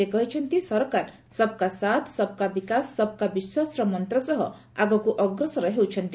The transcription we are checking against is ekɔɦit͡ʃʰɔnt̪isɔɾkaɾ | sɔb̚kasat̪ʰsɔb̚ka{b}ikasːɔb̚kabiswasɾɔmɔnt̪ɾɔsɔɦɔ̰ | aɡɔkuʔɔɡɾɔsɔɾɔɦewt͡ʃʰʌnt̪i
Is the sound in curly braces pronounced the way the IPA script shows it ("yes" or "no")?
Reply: yes